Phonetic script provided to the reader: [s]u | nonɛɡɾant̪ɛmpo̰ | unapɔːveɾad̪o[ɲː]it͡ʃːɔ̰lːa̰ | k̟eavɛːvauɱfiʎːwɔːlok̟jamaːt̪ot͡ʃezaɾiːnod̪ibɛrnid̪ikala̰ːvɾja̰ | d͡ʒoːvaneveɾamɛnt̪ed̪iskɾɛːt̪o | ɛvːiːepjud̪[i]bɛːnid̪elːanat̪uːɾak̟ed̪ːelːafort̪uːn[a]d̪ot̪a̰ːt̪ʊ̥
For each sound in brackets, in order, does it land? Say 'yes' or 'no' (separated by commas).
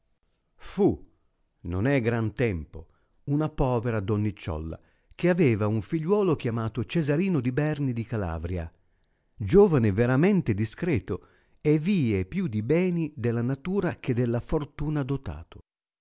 no, no, yes, yes